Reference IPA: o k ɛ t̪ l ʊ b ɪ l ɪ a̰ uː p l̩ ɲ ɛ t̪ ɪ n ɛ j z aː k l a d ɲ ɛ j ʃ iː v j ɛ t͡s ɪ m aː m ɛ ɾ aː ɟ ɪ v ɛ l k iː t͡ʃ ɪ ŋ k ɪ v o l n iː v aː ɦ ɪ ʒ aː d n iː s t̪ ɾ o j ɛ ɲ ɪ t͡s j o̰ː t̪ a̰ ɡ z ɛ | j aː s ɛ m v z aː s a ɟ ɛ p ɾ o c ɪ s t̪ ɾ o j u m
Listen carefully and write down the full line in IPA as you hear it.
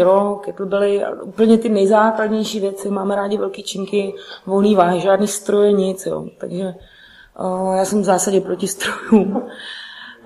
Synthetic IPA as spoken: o k ɛ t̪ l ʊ b ɪ l ɪ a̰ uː p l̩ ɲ ɛ t̪ ɪ n ɛ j z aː k l a d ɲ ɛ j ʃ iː v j ɛ t͡s ɪ m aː m ɛ ɾ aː ɟ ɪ v ɛ l k iː t͡ʃ ɪ ŋ k ɪ v o l n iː v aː ɦ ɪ ʒ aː d n iː s t̪ ɾ o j ɛ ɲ ɪ t͡s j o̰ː t̪ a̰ ɡ ʒ ɛ | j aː s ɛ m v z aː s a ɟ ɛ p ɾ o c ɪ s t̪ ɾ o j u m